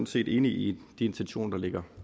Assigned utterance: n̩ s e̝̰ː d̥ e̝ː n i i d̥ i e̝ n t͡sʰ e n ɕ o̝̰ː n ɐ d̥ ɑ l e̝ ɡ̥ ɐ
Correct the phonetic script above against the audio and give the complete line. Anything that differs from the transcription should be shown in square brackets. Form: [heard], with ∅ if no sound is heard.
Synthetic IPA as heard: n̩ s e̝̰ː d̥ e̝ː n i i d̥ i e̝ n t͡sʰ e n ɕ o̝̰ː n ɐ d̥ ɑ l e̝ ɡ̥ ɐ